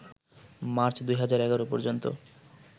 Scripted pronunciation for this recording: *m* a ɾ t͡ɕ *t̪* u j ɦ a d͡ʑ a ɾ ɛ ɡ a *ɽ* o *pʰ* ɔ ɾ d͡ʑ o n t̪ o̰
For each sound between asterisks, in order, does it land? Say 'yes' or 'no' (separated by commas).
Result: yes, no, no, no